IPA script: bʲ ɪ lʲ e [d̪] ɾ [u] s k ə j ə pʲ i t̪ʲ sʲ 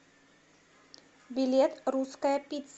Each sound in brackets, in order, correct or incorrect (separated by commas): incorrect, correct